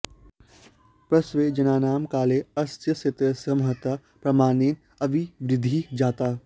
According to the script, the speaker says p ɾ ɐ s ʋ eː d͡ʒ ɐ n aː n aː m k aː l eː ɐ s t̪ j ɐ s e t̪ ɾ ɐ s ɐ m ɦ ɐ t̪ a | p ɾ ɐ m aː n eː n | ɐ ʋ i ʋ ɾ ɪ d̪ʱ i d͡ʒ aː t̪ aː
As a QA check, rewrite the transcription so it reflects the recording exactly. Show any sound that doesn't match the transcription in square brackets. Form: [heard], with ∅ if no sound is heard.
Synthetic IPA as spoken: p ɾ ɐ s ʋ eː d͡ʒ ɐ n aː n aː m k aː l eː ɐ s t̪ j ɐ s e t̪ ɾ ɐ s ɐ m ɦ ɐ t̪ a | p ɾ ɐ m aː n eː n | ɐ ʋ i ʋ ɾ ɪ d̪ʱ i d͡ʒ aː t̪ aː